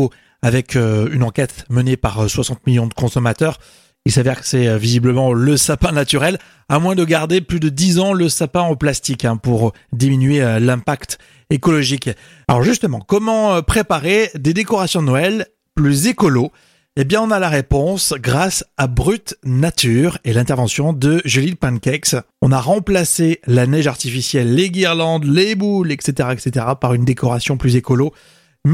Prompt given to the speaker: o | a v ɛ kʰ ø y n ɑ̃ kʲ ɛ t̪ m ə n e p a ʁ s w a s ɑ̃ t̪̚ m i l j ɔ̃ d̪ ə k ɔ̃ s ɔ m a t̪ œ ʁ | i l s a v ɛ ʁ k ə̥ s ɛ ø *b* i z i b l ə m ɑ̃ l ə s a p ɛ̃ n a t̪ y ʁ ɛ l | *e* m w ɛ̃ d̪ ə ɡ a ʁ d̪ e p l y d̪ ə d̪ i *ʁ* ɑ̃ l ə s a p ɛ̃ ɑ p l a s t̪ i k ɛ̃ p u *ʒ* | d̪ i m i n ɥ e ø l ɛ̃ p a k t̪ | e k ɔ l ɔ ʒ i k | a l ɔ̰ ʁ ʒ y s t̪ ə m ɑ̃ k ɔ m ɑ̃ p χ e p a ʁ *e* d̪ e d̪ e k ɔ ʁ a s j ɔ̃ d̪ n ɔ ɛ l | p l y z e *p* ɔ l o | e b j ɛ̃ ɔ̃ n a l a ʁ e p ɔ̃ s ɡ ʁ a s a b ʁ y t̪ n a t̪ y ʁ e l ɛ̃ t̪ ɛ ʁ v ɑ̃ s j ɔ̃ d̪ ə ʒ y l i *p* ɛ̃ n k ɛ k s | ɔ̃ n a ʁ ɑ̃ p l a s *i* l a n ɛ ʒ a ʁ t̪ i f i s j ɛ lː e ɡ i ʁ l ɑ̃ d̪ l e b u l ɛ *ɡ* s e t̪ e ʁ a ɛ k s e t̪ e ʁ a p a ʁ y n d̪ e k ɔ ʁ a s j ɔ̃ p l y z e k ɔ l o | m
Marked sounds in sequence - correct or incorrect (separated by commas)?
incorrect, incorrect, incorrect, incorrect, correct, incorrect, correct, incorrect, incorrect